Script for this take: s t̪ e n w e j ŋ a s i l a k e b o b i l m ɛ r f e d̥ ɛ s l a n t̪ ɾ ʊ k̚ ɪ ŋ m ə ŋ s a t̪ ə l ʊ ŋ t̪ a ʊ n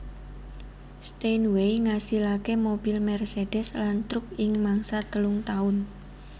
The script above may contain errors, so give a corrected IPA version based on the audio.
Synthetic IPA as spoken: s t̪ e n w e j ŋ a s i l a k e m o b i l m ɛ r s e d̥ ɛ s l a n t̪ ɾ ʊ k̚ ɪ ŋ m a ŋ s a t̪ ə l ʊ ŋ t̪ a ʊ n